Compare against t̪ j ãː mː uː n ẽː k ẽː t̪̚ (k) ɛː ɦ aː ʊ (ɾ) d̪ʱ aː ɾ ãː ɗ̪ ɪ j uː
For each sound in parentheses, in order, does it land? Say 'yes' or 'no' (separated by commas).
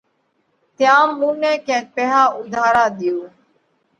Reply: no, no